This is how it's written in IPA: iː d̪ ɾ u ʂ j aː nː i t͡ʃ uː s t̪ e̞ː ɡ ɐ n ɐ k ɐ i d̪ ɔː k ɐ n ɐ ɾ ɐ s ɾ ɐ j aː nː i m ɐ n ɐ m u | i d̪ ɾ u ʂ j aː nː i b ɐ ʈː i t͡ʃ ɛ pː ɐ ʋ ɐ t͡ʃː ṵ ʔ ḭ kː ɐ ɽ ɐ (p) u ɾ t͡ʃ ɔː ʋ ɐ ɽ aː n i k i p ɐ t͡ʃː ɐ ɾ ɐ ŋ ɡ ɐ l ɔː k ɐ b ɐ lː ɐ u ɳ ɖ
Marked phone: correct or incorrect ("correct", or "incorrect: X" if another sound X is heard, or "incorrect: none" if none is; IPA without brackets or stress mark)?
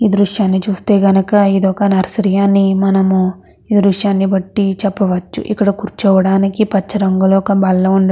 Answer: incorrect: k